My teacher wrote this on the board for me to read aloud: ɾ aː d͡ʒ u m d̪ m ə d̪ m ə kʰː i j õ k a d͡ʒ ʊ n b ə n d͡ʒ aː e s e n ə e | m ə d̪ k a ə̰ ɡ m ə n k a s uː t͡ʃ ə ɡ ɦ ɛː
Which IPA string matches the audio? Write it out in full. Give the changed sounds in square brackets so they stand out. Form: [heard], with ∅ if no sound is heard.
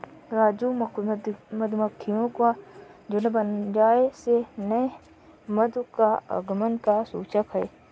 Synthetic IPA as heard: ɾ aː d͡ʒ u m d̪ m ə d̪ m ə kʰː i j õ k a d͡ʒ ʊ n b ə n d͡ʒ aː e s e n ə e | m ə d̪ k a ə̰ ɡ m ə n k a s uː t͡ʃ ə [k] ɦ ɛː